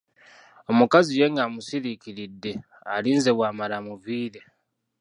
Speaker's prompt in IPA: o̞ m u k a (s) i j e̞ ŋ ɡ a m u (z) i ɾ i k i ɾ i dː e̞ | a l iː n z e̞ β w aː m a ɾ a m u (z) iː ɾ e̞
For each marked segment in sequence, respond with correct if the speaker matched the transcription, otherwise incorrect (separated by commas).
incorrect, incorrect, incorrect